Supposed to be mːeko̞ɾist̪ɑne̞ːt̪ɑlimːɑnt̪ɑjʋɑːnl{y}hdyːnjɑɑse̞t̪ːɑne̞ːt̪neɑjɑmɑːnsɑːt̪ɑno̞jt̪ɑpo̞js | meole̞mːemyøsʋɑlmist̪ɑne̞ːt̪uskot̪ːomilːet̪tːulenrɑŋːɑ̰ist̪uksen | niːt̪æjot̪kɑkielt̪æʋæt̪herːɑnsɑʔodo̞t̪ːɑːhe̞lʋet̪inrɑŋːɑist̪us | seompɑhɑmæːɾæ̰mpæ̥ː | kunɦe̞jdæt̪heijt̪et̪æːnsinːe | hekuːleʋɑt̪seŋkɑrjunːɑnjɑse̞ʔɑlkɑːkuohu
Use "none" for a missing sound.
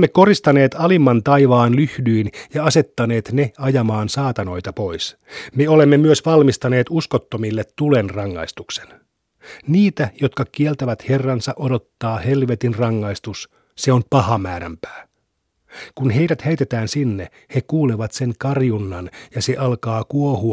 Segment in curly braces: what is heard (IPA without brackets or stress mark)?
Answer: y